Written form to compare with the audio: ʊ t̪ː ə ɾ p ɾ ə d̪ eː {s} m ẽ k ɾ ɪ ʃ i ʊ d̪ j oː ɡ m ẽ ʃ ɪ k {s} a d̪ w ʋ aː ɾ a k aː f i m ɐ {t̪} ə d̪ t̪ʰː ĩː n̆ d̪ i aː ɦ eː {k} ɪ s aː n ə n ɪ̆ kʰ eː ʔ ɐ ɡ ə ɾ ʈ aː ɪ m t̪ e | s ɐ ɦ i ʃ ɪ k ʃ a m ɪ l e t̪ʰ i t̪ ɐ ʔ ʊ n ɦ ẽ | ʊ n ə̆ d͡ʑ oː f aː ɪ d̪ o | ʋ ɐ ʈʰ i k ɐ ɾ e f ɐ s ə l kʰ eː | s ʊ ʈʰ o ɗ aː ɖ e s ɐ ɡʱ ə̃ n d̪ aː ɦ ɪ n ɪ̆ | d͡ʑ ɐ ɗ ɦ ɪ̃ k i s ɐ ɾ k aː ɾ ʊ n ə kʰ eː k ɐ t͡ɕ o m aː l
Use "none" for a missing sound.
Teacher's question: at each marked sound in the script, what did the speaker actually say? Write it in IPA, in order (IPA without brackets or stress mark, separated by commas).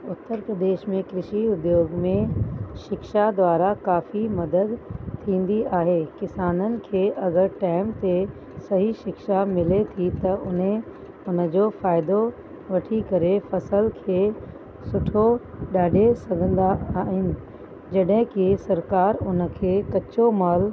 ʃ, ʃ, d̪, k